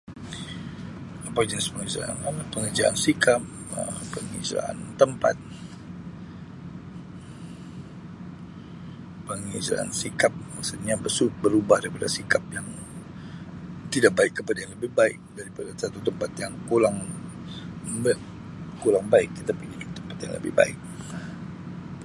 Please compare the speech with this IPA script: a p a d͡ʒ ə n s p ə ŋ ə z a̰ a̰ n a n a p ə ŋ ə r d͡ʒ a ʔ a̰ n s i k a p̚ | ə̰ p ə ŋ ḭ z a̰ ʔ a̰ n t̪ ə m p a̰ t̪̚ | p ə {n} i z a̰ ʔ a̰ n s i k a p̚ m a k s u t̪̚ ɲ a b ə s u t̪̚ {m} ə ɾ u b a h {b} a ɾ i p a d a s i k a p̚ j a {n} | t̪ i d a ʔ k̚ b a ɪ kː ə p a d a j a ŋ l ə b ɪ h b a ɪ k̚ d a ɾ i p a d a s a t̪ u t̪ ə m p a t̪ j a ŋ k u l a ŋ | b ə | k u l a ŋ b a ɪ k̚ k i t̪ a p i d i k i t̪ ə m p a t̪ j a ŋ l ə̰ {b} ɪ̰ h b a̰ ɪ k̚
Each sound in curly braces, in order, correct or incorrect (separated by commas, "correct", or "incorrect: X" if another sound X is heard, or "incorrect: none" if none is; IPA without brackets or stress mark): incorrect: ŋ, incorrect: b, incorrect: d, incorrect: ŋ, correct